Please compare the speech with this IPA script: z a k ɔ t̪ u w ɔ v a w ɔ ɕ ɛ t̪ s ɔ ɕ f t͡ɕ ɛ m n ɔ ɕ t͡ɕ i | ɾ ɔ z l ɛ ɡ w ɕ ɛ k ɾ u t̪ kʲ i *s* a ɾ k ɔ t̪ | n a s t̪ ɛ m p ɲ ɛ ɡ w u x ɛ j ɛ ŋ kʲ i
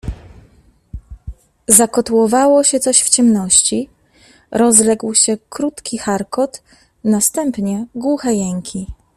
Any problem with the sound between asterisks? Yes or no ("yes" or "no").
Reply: yes